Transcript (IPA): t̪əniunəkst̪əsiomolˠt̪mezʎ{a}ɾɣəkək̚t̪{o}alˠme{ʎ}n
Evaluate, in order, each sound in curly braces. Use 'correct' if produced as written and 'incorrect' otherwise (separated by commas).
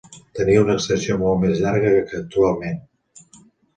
correct, incorrect, incorrect